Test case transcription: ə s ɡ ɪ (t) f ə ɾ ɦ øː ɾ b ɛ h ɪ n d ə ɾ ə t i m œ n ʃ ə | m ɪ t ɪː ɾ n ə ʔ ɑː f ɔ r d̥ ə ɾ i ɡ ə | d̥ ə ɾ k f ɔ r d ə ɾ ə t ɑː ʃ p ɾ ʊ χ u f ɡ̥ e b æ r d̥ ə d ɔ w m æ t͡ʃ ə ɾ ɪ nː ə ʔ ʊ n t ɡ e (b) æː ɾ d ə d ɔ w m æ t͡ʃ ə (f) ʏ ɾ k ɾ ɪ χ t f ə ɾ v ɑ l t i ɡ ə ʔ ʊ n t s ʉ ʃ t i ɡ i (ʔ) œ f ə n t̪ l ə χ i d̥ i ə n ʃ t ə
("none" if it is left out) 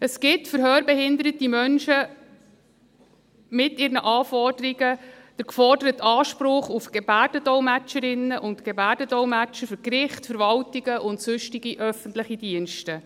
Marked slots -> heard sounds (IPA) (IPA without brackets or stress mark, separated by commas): t, b, f, ʔ